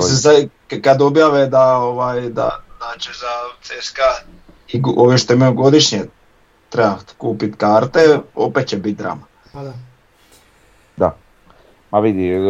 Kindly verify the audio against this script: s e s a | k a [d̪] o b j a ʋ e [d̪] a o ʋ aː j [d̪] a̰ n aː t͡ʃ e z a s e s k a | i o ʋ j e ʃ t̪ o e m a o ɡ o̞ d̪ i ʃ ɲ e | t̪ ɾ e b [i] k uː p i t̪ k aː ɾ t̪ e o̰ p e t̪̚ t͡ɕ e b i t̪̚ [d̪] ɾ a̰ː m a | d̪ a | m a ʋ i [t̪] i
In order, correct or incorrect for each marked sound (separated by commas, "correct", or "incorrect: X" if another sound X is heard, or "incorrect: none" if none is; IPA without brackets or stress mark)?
correct, correct, correct, incorrect: a, correct, incorrect: d̪